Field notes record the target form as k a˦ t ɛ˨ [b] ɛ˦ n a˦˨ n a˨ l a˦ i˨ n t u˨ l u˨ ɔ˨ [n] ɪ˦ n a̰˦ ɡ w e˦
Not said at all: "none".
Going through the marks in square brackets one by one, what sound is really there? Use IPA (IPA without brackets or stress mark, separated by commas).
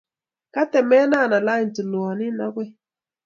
m, n